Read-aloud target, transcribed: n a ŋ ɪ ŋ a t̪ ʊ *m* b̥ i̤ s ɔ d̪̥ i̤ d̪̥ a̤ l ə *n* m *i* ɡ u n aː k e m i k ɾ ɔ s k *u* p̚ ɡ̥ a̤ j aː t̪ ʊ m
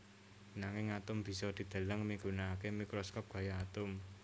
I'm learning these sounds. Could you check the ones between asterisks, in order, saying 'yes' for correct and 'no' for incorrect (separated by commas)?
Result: yes, no, yes, no